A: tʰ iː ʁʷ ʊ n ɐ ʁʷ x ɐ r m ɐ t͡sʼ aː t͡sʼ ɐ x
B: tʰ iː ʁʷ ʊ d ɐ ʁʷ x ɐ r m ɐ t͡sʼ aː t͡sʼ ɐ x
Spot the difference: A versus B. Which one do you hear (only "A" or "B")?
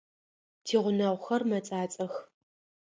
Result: A